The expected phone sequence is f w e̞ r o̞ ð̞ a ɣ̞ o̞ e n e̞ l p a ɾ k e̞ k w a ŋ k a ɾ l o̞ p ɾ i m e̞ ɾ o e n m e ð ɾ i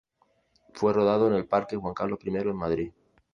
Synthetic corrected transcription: f w e̞ r o̞ ð̞ a ð̞ o̞ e n e̞ l p a ɾ k e̞ x w a ŋ k a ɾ l o̞ p ɾ i m e̞ ɾ o e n m a ð ɾ i